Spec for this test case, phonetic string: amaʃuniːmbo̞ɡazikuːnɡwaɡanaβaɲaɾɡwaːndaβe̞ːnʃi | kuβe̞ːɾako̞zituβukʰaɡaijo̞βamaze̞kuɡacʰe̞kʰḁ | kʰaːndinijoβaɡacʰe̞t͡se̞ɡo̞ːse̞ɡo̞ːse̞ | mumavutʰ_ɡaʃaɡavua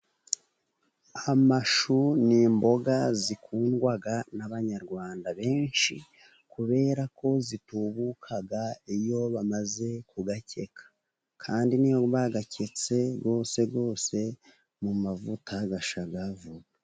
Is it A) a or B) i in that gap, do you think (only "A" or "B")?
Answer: A